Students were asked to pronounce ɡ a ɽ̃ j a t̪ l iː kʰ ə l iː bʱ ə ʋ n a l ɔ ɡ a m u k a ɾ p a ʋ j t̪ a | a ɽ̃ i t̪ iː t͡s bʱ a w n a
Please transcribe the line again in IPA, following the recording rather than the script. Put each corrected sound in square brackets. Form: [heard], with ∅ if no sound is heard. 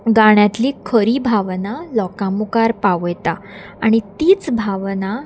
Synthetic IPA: ɡ a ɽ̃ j a t̪ l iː kʰ ə [ɾ] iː bʱ [a] ʋ n a l ɔ [k] a m u k a ɾ p a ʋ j t̪ a | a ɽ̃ i t̪ iː t͡s bʱ a [ʋ] n a